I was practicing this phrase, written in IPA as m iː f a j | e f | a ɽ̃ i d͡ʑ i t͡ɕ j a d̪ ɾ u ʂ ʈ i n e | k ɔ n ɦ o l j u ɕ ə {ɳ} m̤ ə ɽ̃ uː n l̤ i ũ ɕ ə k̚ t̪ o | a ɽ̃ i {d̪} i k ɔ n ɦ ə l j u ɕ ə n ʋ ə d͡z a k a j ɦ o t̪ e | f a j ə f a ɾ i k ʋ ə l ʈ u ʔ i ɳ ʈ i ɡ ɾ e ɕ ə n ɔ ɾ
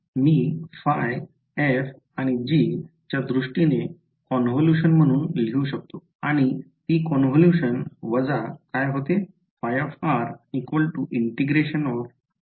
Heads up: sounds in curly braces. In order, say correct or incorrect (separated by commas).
incorrect, incorrect